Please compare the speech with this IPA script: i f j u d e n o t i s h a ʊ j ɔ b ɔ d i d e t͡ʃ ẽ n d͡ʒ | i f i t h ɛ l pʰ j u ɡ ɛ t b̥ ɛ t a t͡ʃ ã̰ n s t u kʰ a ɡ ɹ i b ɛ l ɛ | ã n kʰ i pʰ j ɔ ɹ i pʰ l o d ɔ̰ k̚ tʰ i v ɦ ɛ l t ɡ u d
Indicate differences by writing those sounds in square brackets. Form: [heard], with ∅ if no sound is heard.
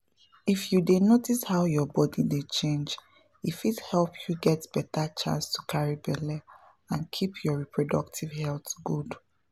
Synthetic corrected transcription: i f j u d e n o t i s h a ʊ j ɔ b ɔ d i d e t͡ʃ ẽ n d͡ʒ | i f i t h ɛ l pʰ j u ɡ ɛ t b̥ ɛ t a t͡ʃ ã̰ n s t u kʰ a [∅] ɹ i b ɛ l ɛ | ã n kʰ i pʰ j ɔ ɹ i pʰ [ɹ] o d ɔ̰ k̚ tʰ i v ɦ ɛ l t ɡ u d